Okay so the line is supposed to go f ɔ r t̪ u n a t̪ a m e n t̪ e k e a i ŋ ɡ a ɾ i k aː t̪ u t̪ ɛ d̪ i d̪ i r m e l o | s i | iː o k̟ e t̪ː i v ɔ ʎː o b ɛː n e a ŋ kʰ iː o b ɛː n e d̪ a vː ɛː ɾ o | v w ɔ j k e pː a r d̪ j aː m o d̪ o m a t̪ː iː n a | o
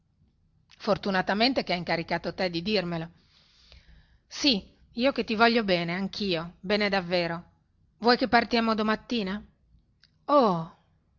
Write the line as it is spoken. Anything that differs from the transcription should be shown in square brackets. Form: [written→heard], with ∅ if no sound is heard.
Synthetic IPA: f [ɔ→o] r t̪ u n a t̪ a m e n t̪ e k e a i ŋ [ɡ→k] a ɾ i k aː t̪ [u→o] t̪ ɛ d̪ i d̪ i r m e l o | s i | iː o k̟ e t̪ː i v ɔ ʎː o b ɛː n e a ŋ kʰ iː o b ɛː n e d̪ a vː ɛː ɾ o | v w ɔ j k e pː a r [d̪→t̪] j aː m o d̪ o m a t̪ː iː n a | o